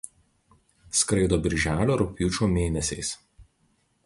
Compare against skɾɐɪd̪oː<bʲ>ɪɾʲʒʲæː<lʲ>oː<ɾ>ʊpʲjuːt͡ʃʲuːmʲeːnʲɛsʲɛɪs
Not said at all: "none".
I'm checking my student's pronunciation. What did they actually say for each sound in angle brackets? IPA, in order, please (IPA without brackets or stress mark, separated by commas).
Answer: bʲ, lʲ, ɾ